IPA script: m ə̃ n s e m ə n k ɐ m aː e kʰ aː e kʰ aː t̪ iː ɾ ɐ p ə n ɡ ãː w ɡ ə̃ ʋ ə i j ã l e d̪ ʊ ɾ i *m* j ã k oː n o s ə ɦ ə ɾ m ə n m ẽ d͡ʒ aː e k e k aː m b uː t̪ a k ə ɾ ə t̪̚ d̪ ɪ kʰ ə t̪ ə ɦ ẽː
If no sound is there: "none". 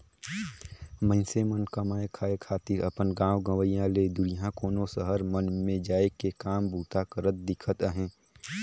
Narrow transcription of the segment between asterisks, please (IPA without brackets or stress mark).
none